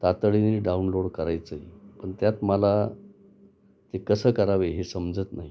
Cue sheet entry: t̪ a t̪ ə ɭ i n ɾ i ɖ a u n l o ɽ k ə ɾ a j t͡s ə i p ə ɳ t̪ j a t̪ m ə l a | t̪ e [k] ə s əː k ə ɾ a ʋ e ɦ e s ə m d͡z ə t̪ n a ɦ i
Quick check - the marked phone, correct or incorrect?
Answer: correct